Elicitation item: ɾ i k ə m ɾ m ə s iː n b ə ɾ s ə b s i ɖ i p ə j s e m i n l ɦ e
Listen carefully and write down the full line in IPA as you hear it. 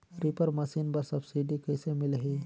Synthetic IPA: ɾ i p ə ɾ m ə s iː n b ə ɾ s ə b s i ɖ i k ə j s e m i l ɦ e